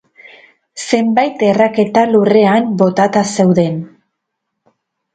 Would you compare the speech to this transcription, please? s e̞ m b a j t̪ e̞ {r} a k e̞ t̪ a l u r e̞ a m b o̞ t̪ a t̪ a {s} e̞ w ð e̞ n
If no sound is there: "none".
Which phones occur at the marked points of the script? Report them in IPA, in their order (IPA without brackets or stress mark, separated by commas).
r, s